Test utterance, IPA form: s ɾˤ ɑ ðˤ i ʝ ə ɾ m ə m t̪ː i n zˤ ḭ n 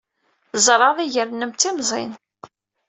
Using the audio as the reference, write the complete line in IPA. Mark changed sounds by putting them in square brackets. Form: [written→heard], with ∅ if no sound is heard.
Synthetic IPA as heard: [s→z] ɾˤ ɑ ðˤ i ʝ ə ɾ [m→n] ə m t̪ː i [n→m] zˤ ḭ n